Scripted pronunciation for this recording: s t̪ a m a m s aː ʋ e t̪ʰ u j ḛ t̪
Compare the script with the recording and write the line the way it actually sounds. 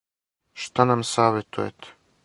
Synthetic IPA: ʃ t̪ a n a m s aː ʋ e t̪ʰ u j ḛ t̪

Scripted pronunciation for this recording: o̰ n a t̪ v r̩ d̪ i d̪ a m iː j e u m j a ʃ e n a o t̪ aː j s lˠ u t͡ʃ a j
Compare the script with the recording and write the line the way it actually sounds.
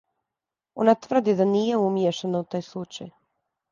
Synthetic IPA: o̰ n a t̪ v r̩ d̪ i d̪ a n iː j e u m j e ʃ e n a u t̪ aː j s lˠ u t͡ʃ a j

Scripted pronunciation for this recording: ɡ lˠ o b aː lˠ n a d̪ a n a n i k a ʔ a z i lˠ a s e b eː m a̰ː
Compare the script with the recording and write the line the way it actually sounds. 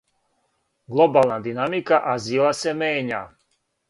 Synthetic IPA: ɡ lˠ o b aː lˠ n a d̪ i n a m i k a ʔ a z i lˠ a s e m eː ɲ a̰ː

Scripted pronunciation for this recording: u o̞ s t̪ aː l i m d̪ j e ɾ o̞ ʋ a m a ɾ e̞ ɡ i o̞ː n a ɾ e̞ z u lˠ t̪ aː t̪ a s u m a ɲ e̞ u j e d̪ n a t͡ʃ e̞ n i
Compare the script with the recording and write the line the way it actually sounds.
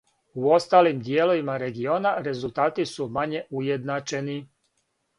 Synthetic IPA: u o̞ s t̪ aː l i m d̪ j e l o̞ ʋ i m a ɾ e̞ ɡ i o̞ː n a ɾ e̞ z u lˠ t̪ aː t̪ i s u m a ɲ e̞ u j e d̪ n a t͡ʃ e̞ n i

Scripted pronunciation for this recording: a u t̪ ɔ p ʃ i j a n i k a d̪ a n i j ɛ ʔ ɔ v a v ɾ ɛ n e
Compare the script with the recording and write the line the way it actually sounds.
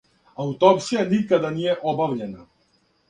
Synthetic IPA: a u t̪ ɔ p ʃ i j a n i k a d̪ a n i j ɛ ʔ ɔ b a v ʎ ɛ n a

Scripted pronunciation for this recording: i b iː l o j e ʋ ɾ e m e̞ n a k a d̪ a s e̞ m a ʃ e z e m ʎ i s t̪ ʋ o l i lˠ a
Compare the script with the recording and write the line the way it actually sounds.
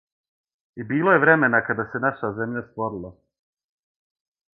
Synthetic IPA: i b iː l o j e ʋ ɾ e m e̞ n a k a d̪ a s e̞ n a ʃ a z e m ʎ a s t̪ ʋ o ɾ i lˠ a

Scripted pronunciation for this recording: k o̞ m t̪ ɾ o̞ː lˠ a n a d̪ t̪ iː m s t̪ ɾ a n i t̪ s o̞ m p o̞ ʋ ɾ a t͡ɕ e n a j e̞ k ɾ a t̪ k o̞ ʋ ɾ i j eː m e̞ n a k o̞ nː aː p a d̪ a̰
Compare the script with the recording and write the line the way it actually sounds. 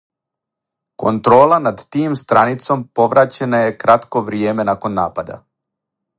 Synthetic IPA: k o̞ n t̪ ɾ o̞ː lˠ a n a d̪ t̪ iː m s t̪ ɾ a n i t̪ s o̞ m p o̞ ʋ ɾ a t͡ɕ e n a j e̞ k ɾ a t̪ k o̞ ʋ ɾ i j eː m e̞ n a k o̞ nː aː p a d̪ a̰

